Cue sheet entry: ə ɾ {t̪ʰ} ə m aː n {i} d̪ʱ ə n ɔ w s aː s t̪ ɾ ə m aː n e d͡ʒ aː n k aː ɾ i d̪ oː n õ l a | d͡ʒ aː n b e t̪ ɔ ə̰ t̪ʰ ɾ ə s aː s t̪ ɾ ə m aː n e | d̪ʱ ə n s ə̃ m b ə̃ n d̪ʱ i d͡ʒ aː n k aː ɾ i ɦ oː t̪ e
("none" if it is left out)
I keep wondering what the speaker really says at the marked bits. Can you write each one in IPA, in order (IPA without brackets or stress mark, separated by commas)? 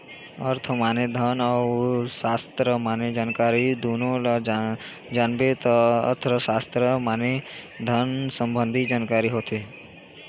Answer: t̪ʰ, e